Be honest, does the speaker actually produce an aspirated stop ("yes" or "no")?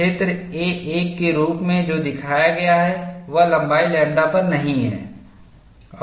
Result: yes